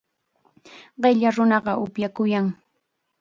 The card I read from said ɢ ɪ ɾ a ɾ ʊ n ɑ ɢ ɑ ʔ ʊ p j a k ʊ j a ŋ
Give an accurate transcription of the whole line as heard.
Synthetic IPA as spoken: ɢ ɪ ʎ a ɾ ʊ n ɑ ɢ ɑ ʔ ʊ p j a k ʊ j a ŋ